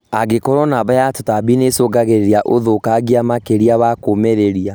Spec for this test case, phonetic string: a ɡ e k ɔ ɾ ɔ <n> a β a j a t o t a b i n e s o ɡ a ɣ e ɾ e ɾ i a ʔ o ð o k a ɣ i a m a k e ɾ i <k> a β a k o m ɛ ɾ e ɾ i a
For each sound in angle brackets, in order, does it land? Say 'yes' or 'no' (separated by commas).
yes, no